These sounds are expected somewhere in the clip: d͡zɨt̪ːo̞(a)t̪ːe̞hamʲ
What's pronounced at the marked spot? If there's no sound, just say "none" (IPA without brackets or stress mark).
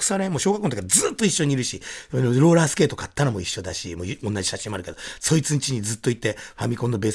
i